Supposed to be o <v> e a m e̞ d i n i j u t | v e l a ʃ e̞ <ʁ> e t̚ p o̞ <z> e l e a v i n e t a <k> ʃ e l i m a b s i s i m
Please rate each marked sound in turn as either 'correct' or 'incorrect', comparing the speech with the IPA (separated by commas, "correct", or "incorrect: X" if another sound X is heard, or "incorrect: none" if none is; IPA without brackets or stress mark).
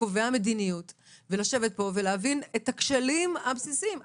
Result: correct, incorrect: v, incorrect: v, correct